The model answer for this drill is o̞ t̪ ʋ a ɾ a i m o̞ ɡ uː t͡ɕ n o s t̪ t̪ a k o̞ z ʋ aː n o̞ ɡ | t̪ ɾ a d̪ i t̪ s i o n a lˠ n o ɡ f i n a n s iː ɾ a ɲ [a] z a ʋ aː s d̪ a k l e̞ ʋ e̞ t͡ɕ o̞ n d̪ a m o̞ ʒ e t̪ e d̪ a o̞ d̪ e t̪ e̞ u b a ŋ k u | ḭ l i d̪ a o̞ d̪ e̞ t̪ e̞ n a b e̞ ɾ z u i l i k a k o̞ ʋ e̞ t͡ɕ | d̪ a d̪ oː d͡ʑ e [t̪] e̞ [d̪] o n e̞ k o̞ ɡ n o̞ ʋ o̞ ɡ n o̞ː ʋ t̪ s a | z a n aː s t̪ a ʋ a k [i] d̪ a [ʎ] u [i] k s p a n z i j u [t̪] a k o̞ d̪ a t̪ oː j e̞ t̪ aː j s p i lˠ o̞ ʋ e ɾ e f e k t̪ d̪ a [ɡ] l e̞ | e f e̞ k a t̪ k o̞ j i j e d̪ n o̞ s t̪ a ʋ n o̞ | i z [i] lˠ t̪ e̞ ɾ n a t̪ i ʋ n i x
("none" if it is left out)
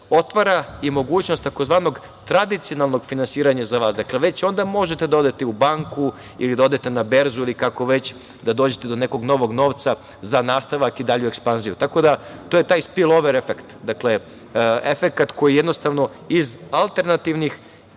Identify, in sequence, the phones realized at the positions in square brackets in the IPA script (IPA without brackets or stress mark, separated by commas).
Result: a, t̪, d̪, i, ʎ, e, t̪, k, a